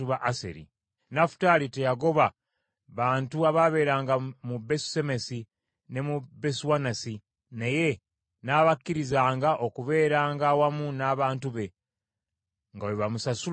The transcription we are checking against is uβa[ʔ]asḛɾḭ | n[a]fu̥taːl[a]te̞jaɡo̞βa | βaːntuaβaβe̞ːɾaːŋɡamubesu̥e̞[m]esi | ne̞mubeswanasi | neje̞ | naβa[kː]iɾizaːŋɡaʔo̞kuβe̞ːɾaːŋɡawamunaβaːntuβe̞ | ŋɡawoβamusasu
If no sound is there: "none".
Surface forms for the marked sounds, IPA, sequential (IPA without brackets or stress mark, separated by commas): ʔ, a, i, m, kː